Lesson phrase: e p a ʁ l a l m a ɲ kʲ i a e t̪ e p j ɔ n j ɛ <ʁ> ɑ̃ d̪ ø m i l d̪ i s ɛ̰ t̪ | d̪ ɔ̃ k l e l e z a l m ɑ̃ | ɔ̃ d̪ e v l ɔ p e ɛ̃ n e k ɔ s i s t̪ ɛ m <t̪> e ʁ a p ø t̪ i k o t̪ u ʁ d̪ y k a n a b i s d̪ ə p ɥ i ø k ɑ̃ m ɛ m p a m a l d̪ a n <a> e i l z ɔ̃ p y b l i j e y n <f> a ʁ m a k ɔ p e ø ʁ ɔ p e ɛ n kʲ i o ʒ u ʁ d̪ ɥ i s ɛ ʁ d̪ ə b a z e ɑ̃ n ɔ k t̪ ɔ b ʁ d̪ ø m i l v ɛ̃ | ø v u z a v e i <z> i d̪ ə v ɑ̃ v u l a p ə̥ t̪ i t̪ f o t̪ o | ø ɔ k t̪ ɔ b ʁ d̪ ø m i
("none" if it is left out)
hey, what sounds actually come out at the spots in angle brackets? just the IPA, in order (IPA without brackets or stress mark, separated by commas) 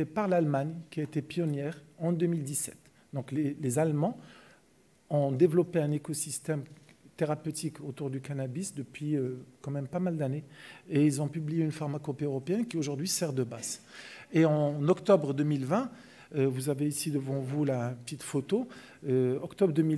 ʁ, t̪, e, f, s